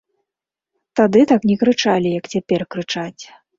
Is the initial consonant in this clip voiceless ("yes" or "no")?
yes